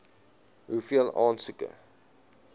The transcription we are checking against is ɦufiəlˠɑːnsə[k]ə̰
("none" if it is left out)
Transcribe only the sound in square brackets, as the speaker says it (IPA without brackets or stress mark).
k